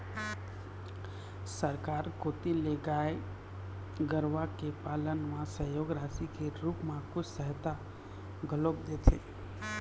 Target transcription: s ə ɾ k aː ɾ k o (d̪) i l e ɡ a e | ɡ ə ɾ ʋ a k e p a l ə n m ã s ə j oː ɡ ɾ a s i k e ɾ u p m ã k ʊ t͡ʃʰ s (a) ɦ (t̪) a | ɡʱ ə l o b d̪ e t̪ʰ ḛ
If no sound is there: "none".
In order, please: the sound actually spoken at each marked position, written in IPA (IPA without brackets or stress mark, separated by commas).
t̪, ə, t̪